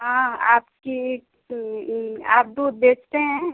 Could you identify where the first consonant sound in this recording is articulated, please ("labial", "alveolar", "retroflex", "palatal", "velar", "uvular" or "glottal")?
glottal